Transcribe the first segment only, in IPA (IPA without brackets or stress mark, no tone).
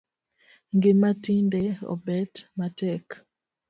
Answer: ŋ